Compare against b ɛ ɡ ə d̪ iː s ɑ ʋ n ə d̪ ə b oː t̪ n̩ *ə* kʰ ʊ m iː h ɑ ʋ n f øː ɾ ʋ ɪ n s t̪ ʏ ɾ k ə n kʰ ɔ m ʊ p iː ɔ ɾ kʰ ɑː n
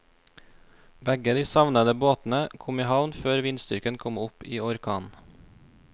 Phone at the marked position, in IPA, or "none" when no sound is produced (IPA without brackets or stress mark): ə